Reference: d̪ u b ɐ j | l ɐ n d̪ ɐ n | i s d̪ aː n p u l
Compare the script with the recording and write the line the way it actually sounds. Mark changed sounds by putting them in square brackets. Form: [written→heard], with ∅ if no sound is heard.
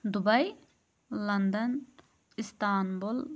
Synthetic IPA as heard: d̪ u b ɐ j | l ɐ n d̪ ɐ n | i s [d̪→t̪] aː n [p→b] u l